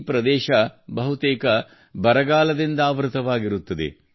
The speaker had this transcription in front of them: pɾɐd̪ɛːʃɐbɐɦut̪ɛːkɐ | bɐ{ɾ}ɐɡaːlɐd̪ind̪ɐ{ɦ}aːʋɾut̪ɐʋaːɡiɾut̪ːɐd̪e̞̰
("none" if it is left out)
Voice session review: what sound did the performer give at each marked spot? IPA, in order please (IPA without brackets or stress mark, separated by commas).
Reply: ɾ, none